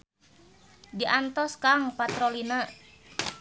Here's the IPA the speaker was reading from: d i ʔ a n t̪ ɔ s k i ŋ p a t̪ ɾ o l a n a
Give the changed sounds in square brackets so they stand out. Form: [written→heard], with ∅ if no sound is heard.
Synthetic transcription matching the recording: d i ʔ a n t̪ ɔ s k [i→a] ŋ p a t̪ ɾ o l [a→i] n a